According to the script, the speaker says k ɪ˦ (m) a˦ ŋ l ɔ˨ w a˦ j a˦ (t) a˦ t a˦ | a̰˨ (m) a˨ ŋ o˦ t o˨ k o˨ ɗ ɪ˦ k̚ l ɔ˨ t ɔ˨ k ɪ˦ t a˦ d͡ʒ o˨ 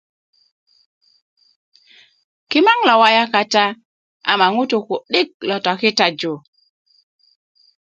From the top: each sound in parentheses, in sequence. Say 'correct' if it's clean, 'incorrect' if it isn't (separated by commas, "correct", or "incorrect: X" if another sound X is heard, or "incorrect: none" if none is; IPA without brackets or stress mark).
correct, incorrect: k, correct